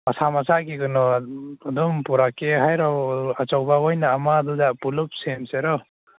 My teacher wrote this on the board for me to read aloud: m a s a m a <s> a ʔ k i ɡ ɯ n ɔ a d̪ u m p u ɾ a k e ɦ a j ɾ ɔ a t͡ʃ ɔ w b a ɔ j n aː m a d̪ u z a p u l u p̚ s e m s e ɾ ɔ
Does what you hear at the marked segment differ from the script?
no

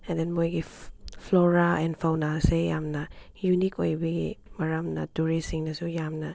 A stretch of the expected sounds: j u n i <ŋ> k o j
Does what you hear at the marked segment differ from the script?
yes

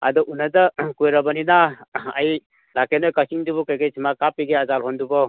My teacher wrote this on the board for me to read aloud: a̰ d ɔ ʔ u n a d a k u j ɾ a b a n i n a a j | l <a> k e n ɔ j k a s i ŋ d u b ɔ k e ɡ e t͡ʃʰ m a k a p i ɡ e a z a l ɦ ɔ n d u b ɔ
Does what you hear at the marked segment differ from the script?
no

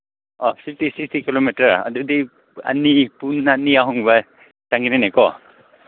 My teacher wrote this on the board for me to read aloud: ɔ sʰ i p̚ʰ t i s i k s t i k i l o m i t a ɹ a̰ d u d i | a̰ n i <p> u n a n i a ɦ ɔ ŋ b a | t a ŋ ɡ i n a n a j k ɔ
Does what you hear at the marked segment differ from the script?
no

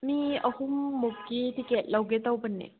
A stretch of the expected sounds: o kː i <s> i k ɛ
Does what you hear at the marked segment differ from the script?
yes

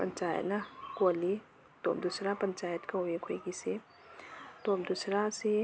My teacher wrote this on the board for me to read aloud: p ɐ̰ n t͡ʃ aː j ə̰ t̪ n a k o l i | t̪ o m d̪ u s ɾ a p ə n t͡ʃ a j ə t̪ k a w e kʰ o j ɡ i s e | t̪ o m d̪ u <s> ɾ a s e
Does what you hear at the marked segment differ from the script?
no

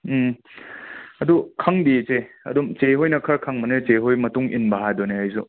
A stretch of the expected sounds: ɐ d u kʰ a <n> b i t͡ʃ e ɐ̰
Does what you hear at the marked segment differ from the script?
yes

